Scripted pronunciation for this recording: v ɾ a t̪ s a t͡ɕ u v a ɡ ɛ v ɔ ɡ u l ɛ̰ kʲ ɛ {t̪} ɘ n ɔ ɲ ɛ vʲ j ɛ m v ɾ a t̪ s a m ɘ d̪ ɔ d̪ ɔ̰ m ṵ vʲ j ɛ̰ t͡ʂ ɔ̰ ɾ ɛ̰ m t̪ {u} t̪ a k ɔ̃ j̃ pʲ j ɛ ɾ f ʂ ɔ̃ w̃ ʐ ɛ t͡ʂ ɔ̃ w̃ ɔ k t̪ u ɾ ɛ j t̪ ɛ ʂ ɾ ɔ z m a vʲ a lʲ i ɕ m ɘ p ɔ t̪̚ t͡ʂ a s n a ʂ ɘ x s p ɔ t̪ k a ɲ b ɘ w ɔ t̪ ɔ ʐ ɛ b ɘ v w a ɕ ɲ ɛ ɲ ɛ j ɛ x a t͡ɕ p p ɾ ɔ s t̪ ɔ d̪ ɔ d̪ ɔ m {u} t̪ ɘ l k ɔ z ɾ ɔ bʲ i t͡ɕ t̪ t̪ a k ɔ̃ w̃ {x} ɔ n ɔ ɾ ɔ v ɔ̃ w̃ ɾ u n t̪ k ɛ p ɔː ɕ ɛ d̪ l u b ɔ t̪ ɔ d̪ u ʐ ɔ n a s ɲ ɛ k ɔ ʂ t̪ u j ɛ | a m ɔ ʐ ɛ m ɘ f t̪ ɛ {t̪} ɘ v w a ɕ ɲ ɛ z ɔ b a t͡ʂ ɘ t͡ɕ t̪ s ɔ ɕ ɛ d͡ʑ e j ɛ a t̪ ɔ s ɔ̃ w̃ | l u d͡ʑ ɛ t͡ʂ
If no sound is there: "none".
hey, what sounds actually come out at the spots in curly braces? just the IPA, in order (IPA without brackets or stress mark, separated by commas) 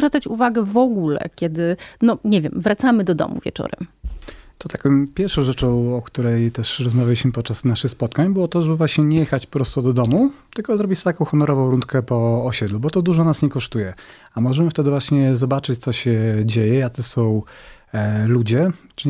d̪, ɔ, u, x, d̪